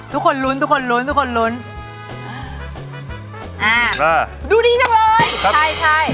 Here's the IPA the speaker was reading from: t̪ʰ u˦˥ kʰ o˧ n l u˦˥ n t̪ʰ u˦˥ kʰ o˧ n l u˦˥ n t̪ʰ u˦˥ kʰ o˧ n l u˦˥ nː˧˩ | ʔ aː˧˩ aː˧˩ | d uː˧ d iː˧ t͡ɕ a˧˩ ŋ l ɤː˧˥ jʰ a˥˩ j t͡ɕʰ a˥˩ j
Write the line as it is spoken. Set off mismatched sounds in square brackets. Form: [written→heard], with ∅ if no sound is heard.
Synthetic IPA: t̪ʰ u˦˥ kʰ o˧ n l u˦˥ n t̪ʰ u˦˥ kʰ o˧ n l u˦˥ n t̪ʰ u˦˥ kʰ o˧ n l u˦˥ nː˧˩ | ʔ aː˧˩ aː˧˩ | d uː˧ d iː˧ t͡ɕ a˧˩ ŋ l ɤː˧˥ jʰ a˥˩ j t͡ɕʰ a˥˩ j